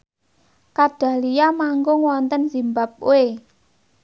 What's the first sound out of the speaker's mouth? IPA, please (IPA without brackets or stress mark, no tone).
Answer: k